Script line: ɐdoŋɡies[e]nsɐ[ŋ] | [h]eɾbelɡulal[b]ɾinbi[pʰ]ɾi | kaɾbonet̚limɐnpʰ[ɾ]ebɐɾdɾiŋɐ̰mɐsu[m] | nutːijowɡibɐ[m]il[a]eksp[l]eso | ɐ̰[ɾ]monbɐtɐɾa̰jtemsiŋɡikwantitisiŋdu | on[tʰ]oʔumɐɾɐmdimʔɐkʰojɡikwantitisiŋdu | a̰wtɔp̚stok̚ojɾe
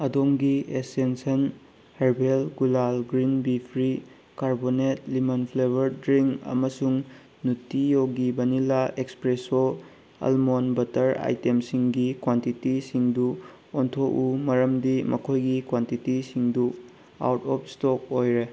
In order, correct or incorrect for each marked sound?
correct, incorrect: n, correct, incorrect: ɡ, correct, incorrect: l, incorrect: ŋ, incorrect: n, correct, incorrect: ɾ, incorrect: l, correct

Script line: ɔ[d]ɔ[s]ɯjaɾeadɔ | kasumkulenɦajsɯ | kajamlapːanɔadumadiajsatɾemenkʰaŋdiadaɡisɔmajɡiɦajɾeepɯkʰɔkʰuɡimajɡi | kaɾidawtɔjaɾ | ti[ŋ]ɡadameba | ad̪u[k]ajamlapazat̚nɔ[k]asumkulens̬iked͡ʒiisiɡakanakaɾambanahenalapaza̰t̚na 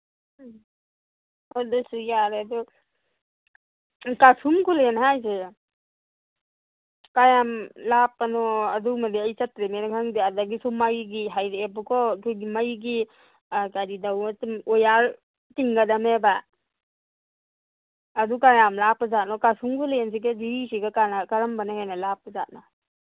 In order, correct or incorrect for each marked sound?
correct, correct, correct, correct, correct

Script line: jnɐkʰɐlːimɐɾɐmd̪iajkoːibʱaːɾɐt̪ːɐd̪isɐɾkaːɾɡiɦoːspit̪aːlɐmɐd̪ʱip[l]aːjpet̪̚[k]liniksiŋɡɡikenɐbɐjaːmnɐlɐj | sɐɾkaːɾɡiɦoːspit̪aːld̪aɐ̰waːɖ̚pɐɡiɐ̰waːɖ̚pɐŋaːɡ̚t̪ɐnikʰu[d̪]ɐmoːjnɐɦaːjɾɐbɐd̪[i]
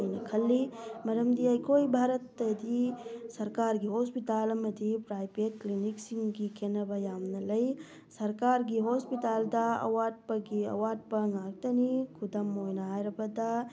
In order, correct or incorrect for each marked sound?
incorrect: ɾ, correct, correct, incorrect: a

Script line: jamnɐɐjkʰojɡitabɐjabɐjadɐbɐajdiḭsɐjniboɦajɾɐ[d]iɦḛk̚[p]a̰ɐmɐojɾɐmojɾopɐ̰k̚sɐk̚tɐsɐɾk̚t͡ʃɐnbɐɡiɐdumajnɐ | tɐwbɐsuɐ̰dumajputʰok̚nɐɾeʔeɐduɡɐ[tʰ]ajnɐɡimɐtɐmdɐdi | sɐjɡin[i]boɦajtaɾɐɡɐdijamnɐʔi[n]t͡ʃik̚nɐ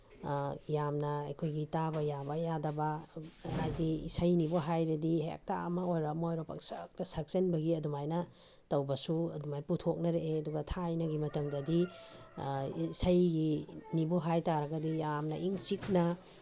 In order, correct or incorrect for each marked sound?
correct, incorrect: t, correct, correct, incorrect: ŋ

